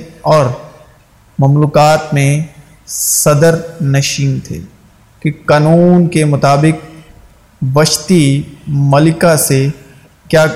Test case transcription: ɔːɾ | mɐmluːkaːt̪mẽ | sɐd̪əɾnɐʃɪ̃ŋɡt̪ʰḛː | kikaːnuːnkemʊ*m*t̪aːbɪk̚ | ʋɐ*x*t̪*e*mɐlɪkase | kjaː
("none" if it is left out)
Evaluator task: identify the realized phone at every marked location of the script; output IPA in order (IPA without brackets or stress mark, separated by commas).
none, ʃ, i